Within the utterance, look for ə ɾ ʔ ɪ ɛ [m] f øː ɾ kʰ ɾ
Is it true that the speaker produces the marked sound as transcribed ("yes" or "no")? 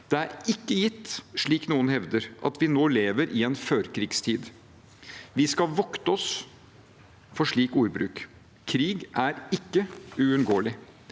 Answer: no